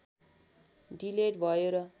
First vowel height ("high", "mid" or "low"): high